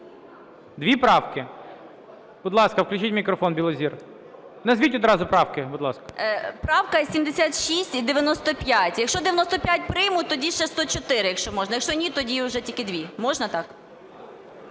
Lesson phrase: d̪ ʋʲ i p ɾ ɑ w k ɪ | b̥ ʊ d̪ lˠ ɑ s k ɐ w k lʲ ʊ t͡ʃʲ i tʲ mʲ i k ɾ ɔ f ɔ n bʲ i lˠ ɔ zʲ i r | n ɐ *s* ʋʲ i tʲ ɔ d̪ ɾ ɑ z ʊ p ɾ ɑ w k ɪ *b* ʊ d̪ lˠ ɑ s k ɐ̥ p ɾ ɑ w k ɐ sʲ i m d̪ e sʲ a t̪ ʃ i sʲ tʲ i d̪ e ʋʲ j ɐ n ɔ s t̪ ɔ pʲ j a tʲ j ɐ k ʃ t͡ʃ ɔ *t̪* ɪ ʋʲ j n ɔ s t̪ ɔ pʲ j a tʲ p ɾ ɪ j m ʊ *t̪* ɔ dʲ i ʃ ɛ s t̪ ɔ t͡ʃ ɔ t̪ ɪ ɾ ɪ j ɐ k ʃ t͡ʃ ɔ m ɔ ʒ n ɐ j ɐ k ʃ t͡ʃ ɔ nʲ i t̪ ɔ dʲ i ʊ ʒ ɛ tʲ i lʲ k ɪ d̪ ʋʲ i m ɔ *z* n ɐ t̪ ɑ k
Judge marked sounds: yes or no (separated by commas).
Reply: no, yes, no, yes, no